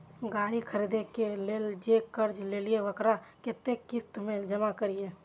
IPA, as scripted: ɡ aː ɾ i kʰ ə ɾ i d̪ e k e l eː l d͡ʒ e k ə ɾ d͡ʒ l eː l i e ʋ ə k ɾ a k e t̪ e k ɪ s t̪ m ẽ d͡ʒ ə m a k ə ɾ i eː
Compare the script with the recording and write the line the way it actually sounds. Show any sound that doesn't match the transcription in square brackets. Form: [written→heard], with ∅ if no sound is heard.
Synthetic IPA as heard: ɡ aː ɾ i kʰ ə ɾ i d̪ e k e l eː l d͡ʒ e k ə ɾ d͡ʒ l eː l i e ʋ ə k ɾ a k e t̪ e k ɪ s t̪ m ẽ d͡ʒ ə m a k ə ɾ i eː